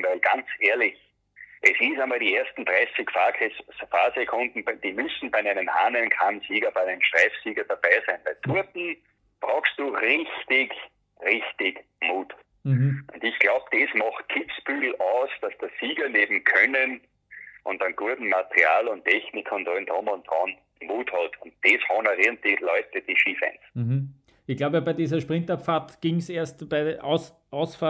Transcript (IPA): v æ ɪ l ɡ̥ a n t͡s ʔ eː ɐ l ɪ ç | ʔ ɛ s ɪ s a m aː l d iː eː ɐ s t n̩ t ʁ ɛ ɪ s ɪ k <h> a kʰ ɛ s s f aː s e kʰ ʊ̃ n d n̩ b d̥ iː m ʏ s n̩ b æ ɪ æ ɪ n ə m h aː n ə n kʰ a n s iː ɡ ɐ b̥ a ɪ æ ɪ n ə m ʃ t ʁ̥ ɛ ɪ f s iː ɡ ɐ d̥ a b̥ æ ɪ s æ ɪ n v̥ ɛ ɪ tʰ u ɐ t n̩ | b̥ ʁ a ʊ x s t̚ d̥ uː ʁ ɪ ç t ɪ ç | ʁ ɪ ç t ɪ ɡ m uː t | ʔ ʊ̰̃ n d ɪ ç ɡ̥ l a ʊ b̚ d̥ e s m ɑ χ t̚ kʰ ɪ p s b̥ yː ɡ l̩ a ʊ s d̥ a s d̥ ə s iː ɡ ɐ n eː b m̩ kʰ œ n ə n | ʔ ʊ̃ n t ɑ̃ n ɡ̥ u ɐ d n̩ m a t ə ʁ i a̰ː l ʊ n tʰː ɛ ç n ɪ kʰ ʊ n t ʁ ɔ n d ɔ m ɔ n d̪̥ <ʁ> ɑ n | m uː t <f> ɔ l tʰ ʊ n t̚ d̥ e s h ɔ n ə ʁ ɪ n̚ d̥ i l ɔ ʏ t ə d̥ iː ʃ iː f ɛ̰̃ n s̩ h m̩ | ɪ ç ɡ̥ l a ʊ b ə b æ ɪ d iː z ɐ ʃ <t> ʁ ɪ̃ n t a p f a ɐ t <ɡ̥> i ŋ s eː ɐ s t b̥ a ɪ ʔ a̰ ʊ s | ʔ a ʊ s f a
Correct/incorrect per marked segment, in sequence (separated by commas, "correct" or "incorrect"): incorrect, correct, incorrect, incorrect, correct